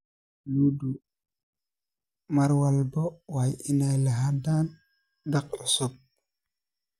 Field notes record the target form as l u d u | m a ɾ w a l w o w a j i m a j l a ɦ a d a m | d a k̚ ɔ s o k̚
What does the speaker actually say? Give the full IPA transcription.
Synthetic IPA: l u d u | m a ɾ w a l b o w a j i n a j l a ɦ a d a n | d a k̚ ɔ s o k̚